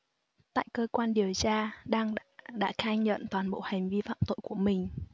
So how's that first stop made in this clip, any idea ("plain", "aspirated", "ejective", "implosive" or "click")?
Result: plain